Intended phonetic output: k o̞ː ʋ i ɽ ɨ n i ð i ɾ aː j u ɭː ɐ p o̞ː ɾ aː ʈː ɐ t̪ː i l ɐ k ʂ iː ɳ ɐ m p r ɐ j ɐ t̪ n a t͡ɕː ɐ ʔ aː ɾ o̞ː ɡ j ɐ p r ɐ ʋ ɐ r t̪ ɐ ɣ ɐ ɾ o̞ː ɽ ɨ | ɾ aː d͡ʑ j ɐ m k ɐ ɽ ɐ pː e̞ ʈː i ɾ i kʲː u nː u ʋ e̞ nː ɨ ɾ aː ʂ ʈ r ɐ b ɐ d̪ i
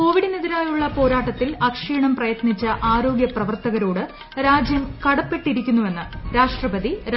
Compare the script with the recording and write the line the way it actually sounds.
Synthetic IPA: k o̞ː ʋ i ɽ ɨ n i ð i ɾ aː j u ɭː ɐ p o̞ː ɾ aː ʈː ɐ t̪ː i l ɐ k ʂ iː ɳ ɐ m p r ɐ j ɐ t̪ n i t͡ɕː ɐ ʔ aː ɾ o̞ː ɡ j ɐ p r ɐ ʋ ɐ r t̪ ɐ ɣ ɐ ɾ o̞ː ɽ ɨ | ɾ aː d͡ʑ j ɐ m k ɐ ɽ ɐ pː e̞ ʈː i ɾ i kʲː u nː u ʋ e̞ nː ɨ ɾ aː ʂ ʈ r ɐ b ɐ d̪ i